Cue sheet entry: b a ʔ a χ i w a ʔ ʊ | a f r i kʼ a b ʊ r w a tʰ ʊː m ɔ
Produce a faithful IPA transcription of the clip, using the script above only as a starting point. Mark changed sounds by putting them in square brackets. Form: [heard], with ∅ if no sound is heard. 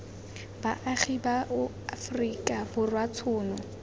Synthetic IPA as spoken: b a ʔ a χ i [b] a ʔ ʊ | a f r i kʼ a b ʊ r w a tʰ ʊː [n] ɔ

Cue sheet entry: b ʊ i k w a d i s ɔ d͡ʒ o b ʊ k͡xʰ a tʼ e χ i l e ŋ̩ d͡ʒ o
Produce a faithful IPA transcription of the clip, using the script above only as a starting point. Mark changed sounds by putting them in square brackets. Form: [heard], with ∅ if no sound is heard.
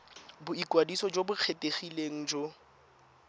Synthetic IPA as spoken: b ʊ i k w a d i s ɔ d͡ʒ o b ʊ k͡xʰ [e] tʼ e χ i l e ŋ̩ d͡ʒ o

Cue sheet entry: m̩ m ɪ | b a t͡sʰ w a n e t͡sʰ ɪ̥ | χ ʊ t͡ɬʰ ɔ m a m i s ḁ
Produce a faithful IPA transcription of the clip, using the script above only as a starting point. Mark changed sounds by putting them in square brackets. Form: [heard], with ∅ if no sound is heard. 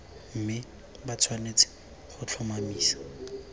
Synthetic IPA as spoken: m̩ m ɪ | b a t͡sʰ w a n e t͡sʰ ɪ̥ | χ ʊ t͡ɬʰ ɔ m a m [iː] s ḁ

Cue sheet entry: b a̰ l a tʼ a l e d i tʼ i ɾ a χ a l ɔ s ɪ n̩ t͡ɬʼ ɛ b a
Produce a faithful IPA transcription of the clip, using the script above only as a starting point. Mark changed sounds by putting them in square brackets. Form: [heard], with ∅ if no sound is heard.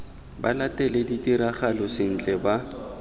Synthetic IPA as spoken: b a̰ l a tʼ [ɛ] l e d i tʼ i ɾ a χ a l ɔ s ɪ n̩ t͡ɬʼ ɛ b a

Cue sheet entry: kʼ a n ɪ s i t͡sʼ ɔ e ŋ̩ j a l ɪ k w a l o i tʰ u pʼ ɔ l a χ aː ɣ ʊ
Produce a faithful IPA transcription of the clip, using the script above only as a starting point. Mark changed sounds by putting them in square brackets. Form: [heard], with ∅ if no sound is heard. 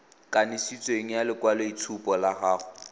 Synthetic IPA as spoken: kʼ a n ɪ s i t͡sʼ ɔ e ŋ̩ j a l ɪ k w a l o i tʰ u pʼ ɔ l a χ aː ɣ ʊ

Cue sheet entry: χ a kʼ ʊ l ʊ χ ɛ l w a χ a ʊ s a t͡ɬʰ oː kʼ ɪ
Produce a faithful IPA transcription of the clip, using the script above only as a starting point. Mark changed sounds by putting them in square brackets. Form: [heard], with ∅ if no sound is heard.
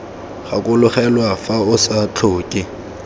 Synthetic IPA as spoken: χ a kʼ ʊ l ʊ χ ɛ l w a [f] a ʊ s a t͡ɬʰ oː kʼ ɪ

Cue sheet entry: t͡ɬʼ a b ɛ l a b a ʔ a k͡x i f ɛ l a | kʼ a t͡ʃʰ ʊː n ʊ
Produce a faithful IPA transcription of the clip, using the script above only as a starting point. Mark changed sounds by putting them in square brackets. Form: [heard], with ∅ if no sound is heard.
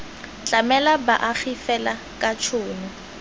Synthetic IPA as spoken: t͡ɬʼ a [m] ɛ l a b a ʔ a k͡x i f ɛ l a | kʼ a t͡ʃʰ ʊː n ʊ

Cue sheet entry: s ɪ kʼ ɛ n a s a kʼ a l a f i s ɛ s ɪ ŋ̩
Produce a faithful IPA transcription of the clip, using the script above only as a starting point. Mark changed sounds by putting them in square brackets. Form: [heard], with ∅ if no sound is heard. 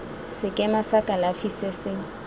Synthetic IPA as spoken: s ɪ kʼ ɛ [m] a s a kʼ a l a f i s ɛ s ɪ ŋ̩

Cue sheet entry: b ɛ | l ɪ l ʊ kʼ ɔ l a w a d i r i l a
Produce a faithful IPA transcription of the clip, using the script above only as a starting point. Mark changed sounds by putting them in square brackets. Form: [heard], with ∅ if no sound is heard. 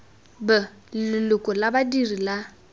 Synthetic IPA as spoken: b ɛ | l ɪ l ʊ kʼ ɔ l a [b] a d i r i l a

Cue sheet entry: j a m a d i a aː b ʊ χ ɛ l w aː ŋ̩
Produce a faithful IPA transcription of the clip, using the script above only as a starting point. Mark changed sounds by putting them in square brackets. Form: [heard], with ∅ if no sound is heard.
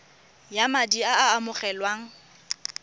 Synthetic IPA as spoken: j a m a d i a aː [m] ʊ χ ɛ l w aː ŋ̩

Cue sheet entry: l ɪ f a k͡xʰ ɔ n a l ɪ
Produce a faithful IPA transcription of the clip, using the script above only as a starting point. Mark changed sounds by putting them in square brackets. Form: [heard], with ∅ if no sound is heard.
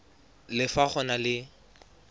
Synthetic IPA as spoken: l ɪ f a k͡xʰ ɔ n a l ɪ

